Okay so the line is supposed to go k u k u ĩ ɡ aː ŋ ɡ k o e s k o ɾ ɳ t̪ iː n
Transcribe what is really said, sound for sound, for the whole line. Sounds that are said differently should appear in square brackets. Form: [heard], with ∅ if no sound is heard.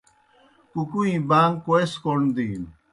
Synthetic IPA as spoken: k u k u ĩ [b] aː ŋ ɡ k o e s k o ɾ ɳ [d̪] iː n